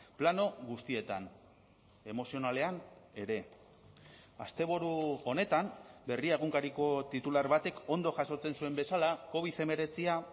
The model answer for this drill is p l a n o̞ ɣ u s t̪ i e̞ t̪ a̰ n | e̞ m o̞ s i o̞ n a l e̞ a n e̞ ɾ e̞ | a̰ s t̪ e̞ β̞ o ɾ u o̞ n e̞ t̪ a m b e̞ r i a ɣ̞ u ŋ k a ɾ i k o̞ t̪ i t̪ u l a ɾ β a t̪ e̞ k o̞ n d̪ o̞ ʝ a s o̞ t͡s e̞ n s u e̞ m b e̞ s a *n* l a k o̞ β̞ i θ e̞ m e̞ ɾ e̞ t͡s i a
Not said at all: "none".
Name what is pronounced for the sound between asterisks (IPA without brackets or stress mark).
none